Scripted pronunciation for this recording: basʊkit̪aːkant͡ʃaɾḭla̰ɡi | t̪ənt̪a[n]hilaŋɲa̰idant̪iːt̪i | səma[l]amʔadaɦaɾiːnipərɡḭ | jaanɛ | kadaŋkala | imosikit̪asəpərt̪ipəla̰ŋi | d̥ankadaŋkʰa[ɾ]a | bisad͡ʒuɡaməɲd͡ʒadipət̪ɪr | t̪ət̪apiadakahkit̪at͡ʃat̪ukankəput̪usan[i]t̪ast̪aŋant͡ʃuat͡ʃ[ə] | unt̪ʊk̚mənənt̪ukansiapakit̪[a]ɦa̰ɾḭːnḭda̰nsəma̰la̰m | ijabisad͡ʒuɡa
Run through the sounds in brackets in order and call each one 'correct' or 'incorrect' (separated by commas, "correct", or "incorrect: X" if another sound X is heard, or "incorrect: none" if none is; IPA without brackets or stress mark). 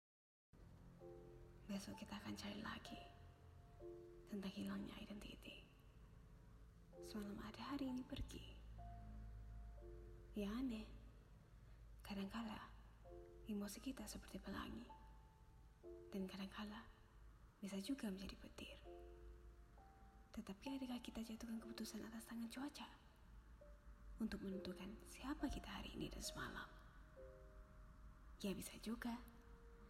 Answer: incorrect: ŋ, correct, incorrect: l, incorrect: a, incorrect: a, correct